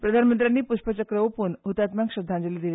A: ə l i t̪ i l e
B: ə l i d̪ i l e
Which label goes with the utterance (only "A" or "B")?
B